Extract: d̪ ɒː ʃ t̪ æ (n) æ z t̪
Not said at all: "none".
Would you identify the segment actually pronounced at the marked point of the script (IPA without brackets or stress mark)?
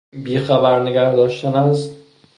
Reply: n